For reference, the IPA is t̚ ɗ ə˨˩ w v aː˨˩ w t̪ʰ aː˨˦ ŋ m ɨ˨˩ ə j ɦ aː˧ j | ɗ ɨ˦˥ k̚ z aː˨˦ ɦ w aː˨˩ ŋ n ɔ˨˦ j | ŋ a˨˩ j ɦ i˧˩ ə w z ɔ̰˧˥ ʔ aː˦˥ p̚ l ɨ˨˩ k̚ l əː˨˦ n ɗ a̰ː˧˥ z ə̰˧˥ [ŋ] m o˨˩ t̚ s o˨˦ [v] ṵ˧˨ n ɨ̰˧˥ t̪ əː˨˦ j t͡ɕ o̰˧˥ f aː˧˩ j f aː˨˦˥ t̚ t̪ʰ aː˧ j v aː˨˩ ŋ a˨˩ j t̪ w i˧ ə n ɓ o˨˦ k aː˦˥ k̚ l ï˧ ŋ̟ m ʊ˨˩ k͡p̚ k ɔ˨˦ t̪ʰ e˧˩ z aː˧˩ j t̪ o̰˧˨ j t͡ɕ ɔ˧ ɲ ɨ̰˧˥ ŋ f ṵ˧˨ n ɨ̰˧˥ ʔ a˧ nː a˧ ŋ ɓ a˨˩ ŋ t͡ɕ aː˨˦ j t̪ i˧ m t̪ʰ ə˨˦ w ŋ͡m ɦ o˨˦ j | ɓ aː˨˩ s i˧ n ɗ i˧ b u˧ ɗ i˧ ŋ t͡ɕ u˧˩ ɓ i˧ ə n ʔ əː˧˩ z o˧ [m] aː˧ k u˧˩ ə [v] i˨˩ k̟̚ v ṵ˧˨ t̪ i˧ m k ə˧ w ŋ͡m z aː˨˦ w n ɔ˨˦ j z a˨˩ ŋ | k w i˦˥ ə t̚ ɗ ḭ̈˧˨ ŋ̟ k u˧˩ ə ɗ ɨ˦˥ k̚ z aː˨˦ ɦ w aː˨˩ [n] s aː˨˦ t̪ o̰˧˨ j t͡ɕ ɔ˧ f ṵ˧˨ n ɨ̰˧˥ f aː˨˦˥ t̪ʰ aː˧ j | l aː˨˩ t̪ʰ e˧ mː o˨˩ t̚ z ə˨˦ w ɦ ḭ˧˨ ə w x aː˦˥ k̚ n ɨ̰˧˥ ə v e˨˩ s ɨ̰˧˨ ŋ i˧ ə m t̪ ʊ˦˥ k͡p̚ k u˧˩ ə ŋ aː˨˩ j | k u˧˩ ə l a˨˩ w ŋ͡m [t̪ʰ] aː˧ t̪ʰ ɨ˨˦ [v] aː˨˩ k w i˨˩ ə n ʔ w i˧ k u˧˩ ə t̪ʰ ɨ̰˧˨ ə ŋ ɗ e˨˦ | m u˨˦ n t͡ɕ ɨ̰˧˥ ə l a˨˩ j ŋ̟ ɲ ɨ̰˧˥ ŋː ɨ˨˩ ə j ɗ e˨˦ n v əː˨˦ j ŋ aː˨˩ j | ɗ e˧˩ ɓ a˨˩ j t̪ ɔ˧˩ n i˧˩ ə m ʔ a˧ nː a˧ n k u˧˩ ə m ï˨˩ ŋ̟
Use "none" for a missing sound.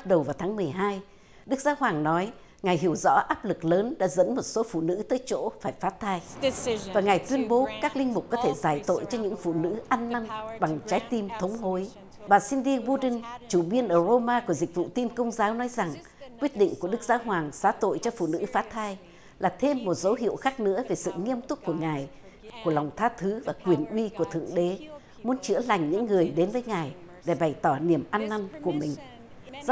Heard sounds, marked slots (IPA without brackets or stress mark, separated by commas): n, f, m, z, ŋ, t̪ʰ, v